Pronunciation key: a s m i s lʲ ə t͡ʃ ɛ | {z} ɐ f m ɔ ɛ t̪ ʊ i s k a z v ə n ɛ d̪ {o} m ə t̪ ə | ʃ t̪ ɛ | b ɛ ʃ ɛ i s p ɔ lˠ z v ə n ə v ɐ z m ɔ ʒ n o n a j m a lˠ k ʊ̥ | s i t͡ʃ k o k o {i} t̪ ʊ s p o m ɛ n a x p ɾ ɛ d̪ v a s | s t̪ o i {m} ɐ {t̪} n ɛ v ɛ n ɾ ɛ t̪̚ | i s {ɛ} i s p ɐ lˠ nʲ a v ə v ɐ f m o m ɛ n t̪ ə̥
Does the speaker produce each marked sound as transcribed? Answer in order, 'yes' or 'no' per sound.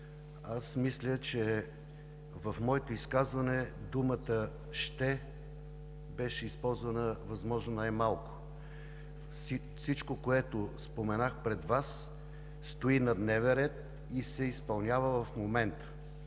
no, no, no, no, no, yes

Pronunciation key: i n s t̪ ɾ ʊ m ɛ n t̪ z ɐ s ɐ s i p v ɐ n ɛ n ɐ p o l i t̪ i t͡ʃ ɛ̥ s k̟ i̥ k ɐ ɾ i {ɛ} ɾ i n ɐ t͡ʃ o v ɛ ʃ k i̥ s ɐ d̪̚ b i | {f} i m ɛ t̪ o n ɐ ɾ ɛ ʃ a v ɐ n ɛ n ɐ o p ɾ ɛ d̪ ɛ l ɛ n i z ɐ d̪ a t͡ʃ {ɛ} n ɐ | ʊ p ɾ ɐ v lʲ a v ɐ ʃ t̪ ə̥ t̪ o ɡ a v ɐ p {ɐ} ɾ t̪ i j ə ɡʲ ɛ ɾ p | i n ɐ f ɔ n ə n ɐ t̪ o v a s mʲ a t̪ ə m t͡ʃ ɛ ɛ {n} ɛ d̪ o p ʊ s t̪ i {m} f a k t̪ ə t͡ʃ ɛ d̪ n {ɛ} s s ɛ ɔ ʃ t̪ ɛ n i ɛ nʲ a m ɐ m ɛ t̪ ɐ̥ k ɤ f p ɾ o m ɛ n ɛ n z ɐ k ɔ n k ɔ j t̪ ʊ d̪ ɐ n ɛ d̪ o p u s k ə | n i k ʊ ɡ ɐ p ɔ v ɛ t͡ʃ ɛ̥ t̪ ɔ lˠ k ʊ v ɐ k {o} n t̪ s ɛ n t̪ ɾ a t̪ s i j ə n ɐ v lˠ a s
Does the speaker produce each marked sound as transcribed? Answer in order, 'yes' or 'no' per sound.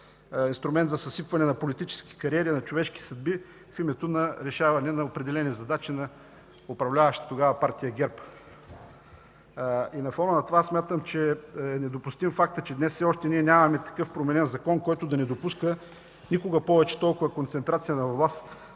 yes, yes, no, no, yes, yes, yes, yes

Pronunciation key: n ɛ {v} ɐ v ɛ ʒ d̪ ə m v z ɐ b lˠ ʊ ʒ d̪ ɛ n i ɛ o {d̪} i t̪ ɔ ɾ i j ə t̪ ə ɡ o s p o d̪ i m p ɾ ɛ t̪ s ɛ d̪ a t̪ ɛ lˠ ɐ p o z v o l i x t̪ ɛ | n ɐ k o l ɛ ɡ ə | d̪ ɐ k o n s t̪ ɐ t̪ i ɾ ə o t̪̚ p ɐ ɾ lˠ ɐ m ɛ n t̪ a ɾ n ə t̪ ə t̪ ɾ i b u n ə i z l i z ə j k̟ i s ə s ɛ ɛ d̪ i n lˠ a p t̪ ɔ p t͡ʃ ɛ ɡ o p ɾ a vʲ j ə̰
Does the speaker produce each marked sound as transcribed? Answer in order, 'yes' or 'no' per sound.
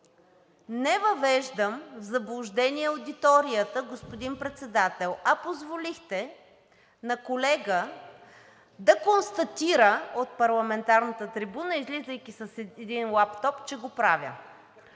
yes, yes

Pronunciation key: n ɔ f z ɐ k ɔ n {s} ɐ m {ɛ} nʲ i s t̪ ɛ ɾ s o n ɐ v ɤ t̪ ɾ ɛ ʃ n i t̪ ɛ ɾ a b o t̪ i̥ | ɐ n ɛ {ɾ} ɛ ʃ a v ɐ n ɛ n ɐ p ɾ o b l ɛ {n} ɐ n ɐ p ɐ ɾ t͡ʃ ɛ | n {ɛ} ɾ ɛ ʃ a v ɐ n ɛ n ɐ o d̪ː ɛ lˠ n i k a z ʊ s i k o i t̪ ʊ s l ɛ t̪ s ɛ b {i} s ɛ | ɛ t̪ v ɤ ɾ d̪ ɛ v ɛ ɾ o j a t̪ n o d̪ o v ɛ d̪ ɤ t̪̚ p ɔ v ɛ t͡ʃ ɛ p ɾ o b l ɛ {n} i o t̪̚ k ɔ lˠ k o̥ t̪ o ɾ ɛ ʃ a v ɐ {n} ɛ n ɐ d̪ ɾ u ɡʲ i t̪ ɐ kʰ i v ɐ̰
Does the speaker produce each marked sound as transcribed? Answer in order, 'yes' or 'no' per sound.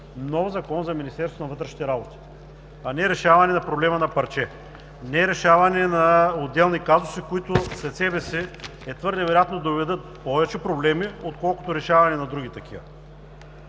no, no, yes, no, yes, no, no, yes

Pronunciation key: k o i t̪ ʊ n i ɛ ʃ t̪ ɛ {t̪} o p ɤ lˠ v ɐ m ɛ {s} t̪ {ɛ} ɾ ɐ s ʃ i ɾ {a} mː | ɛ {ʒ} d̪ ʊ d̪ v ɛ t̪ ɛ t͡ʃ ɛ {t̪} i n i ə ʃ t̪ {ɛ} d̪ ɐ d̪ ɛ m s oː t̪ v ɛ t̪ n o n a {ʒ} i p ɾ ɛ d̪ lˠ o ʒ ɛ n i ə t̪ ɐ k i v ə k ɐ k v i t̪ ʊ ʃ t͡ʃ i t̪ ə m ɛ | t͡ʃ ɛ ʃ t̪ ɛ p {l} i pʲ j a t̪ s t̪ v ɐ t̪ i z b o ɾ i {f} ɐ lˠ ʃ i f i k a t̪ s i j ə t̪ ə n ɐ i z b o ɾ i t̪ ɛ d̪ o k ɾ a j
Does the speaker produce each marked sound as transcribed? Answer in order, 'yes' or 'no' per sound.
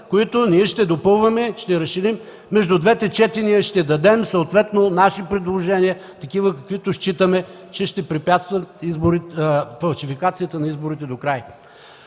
no, no, yes, no, yes, yes, yes, no, no, yes

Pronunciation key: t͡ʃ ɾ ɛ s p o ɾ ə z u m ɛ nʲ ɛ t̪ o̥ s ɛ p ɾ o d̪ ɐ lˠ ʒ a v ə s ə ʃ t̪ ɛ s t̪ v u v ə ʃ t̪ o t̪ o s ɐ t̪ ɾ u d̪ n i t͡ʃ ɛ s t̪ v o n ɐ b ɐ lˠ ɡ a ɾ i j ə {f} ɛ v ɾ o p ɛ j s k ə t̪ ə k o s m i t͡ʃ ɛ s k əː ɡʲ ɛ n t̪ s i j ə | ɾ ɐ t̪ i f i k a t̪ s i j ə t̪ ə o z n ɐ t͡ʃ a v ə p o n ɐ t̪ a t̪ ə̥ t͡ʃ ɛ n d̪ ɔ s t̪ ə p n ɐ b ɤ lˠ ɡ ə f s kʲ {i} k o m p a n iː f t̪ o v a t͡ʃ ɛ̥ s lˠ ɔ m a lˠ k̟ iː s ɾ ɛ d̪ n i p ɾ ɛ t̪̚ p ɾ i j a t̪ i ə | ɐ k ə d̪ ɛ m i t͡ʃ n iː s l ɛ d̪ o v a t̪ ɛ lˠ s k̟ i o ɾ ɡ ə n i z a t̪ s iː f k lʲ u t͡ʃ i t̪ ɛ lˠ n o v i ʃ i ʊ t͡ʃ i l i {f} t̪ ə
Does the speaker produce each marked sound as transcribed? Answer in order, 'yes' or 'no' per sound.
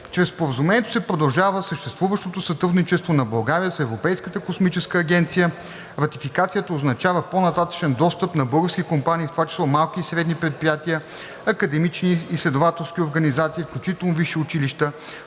no, yes, no

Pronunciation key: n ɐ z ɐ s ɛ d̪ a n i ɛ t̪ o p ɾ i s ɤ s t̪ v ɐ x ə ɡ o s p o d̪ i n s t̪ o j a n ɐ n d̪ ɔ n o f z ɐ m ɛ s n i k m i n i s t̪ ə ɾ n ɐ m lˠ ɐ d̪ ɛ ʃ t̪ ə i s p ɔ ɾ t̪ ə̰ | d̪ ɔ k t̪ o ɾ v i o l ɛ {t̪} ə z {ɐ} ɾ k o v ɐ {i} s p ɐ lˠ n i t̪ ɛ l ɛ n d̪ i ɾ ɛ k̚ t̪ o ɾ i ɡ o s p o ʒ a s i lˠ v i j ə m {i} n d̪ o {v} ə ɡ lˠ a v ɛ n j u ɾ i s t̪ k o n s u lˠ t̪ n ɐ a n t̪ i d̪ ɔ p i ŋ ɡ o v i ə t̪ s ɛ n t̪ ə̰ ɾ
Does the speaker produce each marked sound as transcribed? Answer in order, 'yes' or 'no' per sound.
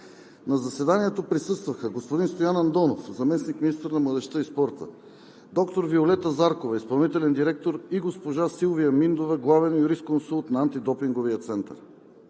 yes, no, yes, yes, yes

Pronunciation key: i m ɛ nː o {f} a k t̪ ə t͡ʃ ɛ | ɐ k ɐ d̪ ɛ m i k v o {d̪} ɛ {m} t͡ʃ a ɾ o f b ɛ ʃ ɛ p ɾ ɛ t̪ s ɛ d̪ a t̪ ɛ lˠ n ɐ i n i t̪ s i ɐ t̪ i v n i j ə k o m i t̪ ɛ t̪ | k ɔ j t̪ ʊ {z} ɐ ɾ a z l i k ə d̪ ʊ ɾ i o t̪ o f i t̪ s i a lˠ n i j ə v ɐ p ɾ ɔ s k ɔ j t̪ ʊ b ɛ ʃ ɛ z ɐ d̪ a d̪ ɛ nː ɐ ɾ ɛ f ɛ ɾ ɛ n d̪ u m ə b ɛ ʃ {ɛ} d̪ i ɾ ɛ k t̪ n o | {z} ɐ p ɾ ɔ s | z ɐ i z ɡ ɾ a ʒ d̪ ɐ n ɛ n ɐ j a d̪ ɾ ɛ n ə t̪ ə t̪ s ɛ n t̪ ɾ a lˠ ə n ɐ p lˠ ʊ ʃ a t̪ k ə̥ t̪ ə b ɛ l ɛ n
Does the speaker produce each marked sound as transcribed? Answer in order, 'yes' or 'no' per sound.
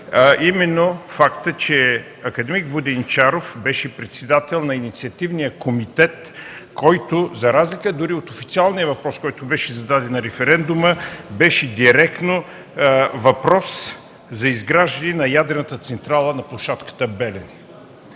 yes, yes, no, yes, yes, no

